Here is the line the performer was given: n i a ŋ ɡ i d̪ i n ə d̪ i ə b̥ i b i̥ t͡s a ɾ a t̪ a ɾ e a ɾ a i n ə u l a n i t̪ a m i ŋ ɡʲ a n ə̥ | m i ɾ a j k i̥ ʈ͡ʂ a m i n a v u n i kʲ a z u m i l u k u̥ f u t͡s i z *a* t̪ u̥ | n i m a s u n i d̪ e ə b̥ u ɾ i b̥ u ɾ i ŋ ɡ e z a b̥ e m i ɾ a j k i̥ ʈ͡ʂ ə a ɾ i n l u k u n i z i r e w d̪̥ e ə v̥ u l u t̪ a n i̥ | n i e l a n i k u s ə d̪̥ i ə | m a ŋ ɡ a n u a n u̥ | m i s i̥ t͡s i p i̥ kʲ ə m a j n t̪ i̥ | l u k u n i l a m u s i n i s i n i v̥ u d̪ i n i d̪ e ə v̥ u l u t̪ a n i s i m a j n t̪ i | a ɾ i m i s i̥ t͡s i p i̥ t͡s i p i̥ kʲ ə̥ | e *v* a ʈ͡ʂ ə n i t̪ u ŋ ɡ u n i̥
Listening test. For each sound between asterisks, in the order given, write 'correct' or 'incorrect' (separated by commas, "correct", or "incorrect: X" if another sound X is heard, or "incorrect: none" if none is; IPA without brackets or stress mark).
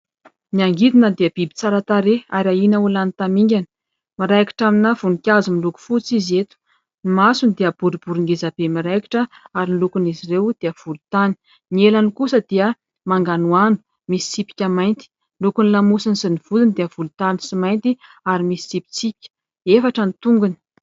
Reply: incorrect: e, incorrect: f